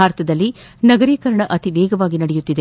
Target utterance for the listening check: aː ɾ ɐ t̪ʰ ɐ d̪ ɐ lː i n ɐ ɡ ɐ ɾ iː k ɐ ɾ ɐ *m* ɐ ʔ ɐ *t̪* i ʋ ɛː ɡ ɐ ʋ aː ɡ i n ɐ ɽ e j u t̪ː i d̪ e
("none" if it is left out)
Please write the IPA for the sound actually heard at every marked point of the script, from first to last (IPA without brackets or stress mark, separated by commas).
ɳ, t̪